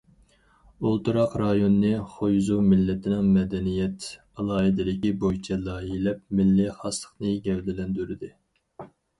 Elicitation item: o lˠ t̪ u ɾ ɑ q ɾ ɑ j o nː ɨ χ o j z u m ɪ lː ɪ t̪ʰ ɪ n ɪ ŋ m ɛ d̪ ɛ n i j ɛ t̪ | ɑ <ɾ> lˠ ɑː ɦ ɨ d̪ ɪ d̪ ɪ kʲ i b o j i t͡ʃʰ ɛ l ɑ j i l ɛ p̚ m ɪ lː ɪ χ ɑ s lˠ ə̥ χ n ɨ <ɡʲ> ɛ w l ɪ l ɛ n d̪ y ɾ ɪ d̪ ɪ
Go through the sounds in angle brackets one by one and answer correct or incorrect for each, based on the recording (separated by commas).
incorrect, correct